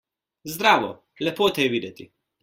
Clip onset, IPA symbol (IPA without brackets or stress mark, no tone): z